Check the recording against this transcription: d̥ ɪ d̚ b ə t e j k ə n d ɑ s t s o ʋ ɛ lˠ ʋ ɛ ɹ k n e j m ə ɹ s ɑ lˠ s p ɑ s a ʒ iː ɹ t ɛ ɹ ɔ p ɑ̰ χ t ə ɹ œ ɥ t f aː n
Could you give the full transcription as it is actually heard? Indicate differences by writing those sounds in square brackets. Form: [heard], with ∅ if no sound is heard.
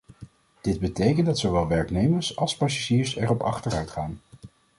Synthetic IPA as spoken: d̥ ɪ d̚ b ə t e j k ə n d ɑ [∅] t s o ʋ ɛ lˠ ʋ ɛ ɹ k n e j m ə ɹ s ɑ lˠ s p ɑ s a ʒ iː ɹ [s] ɛ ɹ ɔ p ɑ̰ χ t ə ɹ œ ɥ t [χ] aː n